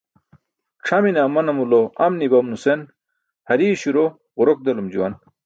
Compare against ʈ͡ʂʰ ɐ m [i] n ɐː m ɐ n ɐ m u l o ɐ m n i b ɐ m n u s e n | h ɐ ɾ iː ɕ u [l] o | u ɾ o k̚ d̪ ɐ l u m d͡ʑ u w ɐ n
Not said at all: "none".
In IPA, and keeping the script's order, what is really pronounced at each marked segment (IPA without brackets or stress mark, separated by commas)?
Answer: i, ɾ